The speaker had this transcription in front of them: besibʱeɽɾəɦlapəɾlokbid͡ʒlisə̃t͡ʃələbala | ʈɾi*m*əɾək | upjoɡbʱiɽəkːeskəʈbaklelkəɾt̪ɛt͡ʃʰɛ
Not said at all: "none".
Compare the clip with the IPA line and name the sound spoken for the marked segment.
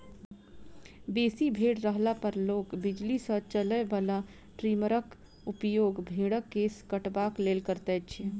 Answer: m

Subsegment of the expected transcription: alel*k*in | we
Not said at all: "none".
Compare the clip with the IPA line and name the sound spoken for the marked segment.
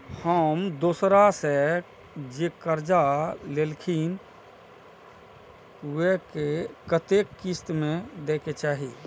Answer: kʰ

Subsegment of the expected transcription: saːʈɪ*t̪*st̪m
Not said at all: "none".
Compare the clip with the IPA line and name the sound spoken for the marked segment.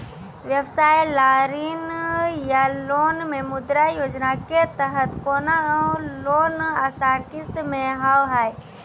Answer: none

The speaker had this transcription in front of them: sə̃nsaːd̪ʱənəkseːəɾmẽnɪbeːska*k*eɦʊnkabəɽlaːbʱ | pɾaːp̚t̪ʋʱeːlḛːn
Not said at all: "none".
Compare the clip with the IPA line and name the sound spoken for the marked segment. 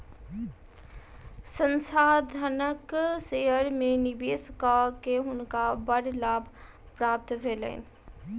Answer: k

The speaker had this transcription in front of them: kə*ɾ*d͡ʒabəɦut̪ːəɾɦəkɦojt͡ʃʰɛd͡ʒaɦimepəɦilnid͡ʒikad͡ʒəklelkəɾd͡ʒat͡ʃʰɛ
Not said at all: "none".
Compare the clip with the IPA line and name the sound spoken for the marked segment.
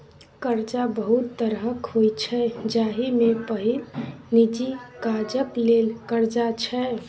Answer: ɾ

